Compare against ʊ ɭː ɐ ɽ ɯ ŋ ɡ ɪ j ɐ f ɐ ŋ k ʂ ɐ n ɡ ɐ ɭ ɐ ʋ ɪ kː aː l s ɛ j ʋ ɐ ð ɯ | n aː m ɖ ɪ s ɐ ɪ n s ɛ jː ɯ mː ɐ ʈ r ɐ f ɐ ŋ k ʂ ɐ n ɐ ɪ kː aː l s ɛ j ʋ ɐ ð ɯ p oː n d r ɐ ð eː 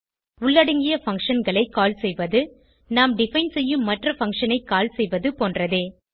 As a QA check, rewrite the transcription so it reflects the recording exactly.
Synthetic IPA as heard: ʊ ɭː ɐ ɽ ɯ ŋ ɡ ɪ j ɐ f ɐ ŋ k ʂ ɐ n ɡ ɐ ɭ ɐ ɪ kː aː l s ɛ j ʋ ɐ ð ɯ | n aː m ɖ ɪ f ɐ ɪ n s ɛ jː ɯ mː ɐ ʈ r ɐ f ɐ ŋ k ʂ ɐ n ɐ ɪ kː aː l s ɛ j ʋ ɐ ð ɯ p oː n d r ɐ ð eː